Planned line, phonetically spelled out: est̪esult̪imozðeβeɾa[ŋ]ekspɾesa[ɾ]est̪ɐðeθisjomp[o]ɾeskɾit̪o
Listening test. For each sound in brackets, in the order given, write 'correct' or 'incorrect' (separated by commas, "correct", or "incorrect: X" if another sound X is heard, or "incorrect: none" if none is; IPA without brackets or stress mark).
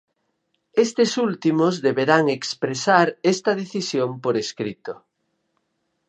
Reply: correct, correct, correct